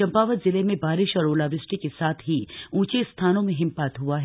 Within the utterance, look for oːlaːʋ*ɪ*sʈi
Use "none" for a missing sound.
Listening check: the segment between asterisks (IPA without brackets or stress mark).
ɪ